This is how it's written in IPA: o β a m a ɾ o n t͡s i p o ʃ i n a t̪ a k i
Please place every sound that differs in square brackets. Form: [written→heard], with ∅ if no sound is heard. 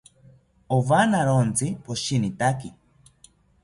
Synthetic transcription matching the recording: o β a [m→n] a ɾ o n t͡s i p o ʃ i n [a→i] t̪ a k i

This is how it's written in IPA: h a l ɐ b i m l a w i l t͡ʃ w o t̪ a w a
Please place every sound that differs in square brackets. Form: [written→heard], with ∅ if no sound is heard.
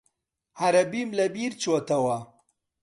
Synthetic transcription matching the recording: h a [l→ɾ] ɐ b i m l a [w→b] i [l→ɾ] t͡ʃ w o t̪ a w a

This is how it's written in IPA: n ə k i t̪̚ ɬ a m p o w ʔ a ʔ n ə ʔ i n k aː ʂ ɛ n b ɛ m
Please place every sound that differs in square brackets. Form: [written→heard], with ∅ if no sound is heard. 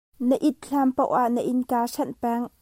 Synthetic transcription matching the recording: n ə [k→ʔ] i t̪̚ ɬ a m p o w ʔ a ʔ n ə ʔ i n k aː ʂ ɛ n [b→p] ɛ [m→ŋ]

